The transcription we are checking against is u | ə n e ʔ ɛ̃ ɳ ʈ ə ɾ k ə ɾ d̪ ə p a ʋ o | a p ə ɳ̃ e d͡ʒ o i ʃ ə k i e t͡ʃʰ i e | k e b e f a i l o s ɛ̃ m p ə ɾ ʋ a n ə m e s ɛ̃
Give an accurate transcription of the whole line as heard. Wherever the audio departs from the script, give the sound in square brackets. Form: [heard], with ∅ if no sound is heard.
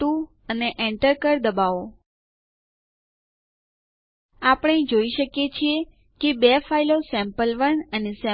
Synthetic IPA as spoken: u | ə n e ʔ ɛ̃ ɳ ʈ ə ɾ k ə ɾ d̪ ə [b] a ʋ o | a p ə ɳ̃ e d͡ʒ o i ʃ ə k [j] e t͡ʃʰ i e | k e b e f a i l o s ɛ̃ m p ə [l] ʋ [ə] n ə [n] e s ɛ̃